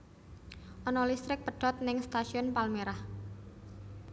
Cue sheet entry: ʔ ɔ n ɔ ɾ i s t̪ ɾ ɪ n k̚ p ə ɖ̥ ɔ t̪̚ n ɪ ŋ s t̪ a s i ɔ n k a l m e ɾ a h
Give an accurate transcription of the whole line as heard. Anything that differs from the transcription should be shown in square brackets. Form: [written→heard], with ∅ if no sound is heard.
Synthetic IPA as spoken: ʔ ɔ n ɔ [ɾ→l] i s t̪ ɾ ɪ [n→∅] k̚ p ə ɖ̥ ɔ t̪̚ n ɪ ŋ s t̪ a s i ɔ n [k→p] a l m e ɾ a h